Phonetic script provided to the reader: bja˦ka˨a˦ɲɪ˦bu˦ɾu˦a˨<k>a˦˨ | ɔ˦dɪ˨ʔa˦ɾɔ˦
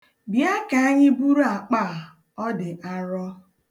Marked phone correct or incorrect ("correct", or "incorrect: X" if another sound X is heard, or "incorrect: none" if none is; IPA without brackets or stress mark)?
incorrect: k͡p